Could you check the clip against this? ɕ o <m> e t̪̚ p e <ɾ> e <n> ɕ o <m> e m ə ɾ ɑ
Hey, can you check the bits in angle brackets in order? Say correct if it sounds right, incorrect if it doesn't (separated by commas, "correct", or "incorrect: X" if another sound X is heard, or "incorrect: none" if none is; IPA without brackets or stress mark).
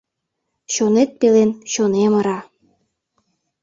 incorrect: n, incorrect: l, correct, incorrect: n